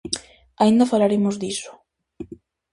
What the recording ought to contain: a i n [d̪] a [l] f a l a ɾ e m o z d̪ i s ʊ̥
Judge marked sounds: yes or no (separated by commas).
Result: yes, no